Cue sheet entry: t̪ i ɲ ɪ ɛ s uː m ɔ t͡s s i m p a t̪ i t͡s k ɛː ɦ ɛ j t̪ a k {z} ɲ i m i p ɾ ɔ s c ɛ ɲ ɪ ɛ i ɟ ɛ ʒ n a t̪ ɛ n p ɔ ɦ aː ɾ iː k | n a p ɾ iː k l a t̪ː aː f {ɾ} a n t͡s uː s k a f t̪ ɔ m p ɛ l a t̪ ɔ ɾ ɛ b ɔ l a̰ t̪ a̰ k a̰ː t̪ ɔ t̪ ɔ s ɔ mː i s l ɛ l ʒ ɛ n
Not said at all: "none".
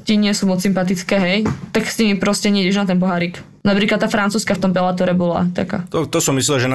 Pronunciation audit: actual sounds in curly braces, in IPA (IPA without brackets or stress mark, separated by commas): s, ɾ